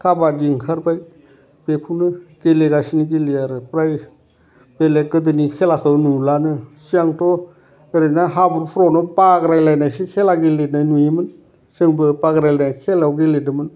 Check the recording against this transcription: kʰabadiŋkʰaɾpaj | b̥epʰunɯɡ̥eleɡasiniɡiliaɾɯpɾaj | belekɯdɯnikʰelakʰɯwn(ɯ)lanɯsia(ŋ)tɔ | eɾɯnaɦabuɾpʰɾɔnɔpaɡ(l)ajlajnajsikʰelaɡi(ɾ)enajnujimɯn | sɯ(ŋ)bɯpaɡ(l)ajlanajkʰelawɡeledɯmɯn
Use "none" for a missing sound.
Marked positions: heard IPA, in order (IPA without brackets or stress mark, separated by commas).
u, ŋ, ɾ, l, ŋ, ɾ